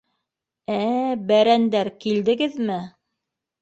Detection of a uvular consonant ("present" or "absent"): absent